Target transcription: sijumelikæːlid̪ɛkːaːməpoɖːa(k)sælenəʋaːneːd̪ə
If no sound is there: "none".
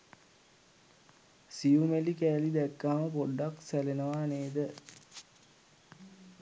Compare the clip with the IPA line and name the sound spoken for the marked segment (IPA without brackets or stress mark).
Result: k